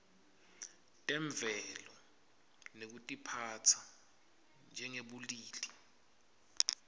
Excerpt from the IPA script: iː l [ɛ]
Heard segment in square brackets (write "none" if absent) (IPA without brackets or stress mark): i